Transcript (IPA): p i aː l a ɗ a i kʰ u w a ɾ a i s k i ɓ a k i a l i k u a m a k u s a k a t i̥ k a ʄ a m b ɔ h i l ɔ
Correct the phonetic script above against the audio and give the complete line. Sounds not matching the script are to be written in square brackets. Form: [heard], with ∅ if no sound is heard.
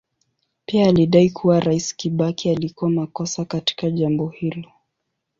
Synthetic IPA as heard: p i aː l [i] ɗ a i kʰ u w a ɾ a i s k i ɓ a k i a l i k u a m a k [ɔ] s a k a t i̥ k a ʄ a m b ɔ h i l ɔ